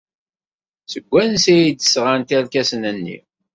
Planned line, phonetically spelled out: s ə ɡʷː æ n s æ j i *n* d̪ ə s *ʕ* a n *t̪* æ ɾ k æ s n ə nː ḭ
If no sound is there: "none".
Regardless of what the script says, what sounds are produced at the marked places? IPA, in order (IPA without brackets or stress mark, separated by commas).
none, ʁ, t̪